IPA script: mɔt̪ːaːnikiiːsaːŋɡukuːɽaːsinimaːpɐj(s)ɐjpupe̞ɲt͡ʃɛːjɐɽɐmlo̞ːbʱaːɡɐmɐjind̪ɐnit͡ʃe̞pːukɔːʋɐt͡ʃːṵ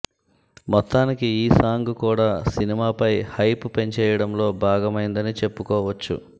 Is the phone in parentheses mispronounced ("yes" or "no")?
yes